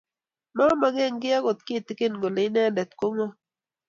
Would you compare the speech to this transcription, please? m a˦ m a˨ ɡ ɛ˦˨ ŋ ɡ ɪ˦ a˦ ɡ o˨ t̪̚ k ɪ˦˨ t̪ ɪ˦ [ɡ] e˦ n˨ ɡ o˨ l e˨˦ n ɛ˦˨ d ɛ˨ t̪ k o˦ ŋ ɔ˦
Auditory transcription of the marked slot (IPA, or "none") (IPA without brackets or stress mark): k